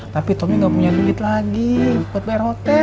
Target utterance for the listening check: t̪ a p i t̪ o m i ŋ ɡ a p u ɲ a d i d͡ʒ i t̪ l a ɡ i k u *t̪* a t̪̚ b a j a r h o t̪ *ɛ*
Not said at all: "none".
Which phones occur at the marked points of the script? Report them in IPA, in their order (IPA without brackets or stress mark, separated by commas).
none, ɛ